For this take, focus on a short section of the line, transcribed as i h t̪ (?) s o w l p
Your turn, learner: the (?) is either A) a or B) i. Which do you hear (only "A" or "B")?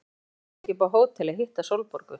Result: A